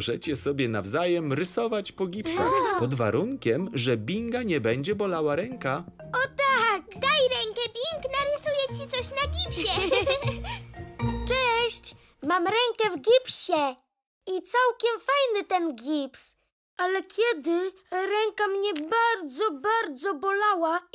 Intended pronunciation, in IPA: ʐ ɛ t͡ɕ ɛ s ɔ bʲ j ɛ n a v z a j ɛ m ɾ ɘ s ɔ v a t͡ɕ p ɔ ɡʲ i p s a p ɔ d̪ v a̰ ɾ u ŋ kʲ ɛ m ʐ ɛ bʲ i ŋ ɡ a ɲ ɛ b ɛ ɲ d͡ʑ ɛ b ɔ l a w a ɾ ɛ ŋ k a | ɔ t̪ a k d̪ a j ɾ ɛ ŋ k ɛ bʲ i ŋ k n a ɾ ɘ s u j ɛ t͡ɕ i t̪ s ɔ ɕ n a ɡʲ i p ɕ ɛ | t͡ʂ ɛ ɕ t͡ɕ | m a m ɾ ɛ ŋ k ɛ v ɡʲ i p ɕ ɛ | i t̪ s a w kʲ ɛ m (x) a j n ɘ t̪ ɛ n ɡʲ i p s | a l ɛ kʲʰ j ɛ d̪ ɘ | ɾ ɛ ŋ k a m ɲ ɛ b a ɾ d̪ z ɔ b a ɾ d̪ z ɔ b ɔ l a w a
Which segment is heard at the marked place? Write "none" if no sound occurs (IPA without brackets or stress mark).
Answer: f